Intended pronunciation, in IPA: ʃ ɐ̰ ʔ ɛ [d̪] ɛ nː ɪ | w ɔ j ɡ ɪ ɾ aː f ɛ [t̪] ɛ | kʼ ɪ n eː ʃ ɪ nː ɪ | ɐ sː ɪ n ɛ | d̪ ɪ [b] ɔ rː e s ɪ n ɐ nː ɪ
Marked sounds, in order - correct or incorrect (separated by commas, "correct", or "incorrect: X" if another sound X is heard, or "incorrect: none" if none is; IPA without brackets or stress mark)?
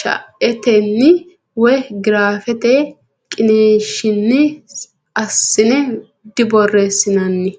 incorrect: t̪, correct, correct